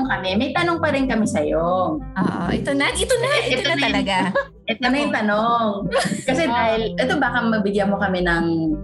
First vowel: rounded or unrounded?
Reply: unrounded